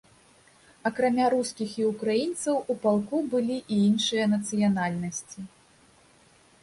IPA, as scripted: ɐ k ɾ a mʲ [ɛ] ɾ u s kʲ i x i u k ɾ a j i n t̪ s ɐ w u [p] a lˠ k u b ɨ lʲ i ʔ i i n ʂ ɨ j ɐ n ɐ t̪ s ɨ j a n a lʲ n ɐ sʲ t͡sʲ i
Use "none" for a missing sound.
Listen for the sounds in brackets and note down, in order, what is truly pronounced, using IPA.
a, p

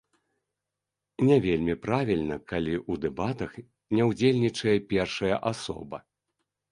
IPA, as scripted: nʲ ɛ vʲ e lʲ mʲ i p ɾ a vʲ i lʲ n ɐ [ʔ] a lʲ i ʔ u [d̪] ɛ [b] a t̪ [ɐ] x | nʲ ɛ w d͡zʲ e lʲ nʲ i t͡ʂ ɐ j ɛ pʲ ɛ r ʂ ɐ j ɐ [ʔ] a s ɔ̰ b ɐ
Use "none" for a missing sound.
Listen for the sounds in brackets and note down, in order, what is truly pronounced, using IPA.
k, d̪, b, ɐ, ʔ

